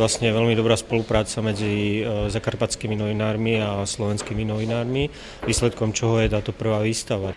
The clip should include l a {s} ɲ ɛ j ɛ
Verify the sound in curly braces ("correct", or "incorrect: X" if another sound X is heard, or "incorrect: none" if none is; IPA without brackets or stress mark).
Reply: correct